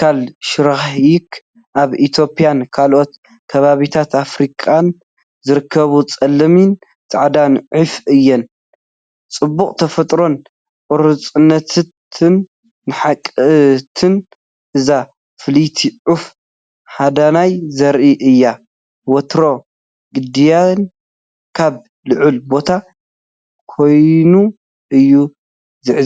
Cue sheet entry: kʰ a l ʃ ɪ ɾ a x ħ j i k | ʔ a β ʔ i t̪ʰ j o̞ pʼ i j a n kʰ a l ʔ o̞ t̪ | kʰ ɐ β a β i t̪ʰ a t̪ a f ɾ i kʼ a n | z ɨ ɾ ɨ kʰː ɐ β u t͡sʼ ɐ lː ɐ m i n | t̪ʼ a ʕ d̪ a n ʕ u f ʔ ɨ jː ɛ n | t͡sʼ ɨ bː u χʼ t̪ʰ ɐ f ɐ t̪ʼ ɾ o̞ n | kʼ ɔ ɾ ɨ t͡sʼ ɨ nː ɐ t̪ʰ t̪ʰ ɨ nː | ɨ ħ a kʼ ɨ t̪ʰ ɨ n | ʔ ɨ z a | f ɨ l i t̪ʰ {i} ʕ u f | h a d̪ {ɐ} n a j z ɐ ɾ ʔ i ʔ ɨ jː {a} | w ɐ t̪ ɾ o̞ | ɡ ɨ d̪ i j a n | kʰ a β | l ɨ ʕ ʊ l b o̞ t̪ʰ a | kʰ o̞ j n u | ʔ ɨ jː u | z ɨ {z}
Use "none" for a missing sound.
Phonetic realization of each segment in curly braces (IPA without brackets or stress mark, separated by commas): i, a, a, ʕ